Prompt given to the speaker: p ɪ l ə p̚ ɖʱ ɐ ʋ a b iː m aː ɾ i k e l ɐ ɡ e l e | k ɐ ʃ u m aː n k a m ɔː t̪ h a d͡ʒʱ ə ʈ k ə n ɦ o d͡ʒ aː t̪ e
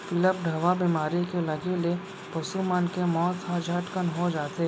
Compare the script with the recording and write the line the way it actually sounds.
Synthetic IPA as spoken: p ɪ l ə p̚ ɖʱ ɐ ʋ a b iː m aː ɾ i k e l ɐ ɡ e l e | p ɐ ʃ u m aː n k e m ɔː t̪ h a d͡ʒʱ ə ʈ k ə n ɦ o d͡ʒ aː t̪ e